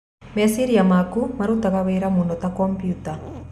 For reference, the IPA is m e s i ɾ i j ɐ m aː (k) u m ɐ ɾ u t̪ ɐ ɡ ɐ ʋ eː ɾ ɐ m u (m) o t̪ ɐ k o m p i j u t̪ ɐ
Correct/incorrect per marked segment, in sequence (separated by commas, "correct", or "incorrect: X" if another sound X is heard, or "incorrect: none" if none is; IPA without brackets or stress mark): correct, incorrect: n